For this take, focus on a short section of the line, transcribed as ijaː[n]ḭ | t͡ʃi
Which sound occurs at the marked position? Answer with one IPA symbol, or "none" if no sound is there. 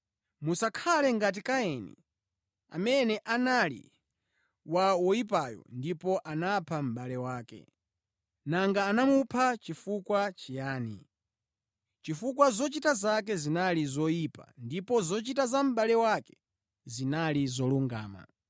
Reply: n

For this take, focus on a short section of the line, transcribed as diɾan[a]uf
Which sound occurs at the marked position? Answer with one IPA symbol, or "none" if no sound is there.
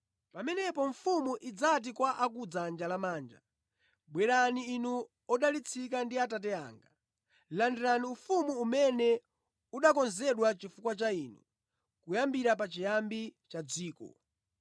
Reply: i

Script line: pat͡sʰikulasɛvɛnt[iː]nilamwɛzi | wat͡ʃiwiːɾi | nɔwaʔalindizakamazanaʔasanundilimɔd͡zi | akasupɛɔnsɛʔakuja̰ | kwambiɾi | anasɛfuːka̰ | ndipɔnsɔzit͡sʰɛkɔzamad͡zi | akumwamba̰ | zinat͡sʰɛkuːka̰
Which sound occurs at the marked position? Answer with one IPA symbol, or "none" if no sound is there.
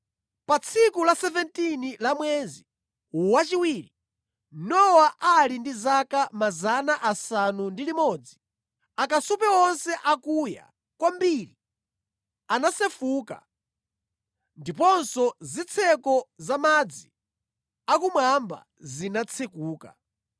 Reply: i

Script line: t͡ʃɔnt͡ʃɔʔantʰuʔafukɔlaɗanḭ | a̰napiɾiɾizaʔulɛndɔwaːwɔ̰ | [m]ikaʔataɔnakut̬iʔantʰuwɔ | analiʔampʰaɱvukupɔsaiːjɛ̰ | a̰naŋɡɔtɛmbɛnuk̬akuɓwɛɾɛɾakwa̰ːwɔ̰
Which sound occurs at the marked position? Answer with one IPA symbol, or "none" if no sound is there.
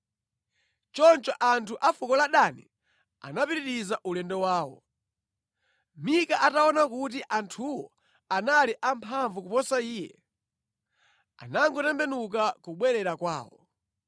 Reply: m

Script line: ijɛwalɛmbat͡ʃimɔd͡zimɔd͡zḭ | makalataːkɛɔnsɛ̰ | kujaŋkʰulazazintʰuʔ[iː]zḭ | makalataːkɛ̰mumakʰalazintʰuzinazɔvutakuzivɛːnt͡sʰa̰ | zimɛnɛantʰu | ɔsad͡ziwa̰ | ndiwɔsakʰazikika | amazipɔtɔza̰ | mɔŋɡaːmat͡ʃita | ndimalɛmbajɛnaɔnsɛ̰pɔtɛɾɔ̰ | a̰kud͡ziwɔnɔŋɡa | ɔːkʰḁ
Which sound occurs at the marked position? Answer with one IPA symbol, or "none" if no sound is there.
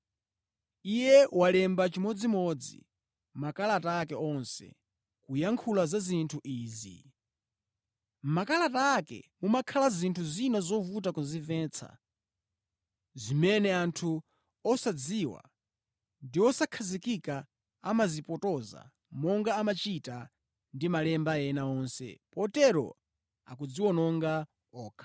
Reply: iː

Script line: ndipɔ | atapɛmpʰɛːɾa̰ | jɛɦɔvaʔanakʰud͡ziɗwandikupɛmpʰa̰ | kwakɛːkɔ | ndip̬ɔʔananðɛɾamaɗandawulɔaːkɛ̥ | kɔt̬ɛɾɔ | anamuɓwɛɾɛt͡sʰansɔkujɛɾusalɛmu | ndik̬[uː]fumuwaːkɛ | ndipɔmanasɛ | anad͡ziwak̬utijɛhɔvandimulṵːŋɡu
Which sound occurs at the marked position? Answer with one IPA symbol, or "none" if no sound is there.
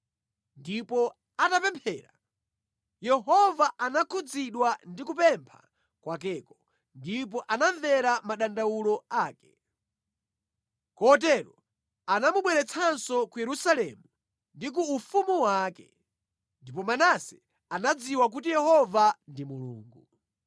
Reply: uː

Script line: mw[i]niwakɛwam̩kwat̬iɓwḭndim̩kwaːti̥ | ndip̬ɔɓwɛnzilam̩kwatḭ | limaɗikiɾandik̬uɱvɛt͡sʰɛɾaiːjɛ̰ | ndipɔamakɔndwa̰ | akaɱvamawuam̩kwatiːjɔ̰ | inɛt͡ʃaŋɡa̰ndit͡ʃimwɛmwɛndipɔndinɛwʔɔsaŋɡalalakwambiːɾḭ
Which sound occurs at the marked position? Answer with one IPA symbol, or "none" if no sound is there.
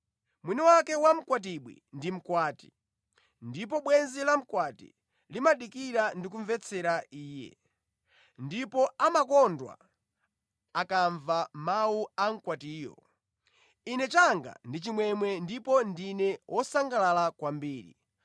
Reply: i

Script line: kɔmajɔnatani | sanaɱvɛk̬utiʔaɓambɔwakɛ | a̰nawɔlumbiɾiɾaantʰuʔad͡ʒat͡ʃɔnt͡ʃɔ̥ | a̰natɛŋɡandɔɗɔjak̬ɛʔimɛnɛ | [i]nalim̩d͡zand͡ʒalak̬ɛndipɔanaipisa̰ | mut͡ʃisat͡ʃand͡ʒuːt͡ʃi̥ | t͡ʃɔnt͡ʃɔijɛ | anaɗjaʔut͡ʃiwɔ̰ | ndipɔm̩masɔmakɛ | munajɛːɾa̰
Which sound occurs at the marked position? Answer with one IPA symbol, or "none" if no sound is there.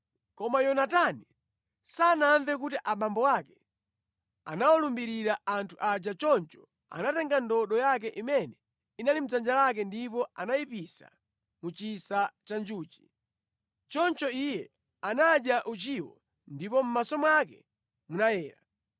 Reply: i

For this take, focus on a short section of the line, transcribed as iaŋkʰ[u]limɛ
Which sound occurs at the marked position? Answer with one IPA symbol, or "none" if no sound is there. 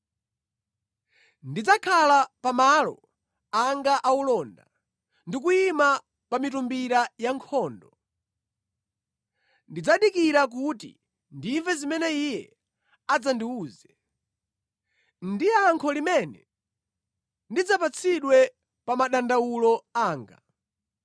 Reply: ɔ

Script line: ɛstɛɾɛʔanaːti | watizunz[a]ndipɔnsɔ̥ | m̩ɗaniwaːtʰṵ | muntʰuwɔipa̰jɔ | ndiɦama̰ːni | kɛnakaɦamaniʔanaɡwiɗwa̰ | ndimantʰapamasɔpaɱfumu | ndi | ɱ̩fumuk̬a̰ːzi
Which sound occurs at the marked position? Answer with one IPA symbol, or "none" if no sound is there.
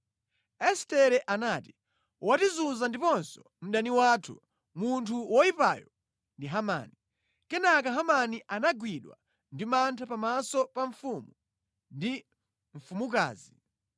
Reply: a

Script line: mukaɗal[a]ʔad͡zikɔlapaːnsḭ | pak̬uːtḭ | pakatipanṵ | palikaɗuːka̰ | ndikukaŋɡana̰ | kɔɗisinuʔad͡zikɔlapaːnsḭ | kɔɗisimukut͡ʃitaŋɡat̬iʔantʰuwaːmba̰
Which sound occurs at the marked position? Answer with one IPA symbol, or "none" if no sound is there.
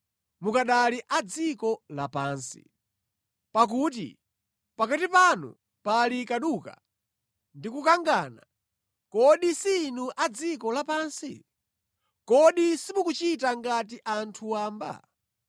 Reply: i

